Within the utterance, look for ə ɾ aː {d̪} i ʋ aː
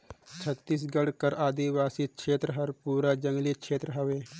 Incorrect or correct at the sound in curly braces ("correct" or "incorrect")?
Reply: correct